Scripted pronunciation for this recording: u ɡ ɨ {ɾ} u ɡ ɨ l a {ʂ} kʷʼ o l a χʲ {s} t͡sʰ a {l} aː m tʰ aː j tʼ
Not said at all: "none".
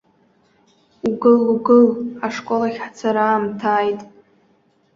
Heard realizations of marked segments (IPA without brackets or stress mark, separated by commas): l, ʂ, ħ, ɾ